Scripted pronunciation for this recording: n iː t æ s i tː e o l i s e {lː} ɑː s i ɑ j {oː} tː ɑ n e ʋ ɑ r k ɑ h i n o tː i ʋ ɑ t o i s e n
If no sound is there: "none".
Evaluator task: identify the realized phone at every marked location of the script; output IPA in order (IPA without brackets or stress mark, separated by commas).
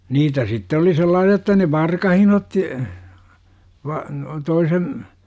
lː, o